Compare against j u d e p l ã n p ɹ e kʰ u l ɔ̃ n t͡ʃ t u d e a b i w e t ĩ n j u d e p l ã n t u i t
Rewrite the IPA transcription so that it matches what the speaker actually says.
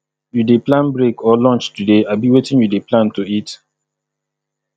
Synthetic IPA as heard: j u d e p l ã n b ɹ e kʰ ɔ l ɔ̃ n t͡ʃ t u d e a b i w e t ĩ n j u d e p l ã n t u i t